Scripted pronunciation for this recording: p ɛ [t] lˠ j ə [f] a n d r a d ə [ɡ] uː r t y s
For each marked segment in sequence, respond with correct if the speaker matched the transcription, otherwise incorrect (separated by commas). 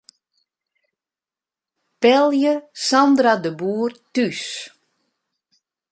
incorrect, incorrect, incorrect